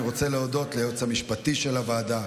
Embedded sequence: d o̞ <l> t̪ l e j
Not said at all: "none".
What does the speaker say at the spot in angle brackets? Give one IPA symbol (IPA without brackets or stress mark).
none